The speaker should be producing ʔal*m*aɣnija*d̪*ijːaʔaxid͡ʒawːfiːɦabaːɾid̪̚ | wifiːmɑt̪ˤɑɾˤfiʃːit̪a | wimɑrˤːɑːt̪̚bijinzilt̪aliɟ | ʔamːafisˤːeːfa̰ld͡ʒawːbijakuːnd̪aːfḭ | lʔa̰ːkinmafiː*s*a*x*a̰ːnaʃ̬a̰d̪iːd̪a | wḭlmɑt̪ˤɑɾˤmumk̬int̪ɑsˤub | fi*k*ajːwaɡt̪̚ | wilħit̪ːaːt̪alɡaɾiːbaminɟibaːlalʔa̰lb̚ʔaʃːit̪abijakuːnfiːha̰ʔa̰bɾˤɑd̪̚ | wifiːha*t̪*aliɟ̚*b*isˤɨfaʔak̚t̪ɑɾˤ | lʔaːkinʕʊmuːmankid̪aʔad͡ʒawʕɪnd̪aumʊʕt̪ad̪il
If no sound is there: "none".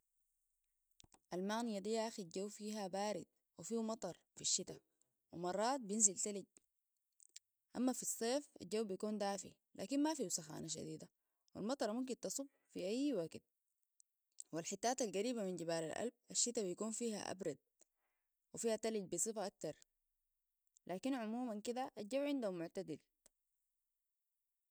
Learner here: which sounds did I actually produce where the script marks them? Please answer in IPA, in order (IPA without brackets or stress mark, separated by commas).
m, d̪, s, x, ʔ, t̪, b